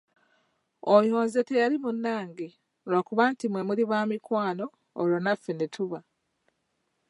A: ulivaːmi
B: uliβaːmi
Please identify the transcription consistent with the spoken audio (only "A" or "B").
B